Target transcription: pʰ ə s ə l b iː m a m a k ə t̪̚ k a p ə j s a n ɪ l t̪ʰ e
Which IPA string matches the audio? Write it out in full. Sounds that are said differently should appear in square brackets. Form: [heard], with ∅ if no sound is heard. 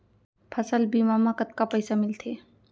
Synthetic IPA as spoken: pʰ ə s ə l b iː m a m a k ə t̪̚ k a p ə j s a [m] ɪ l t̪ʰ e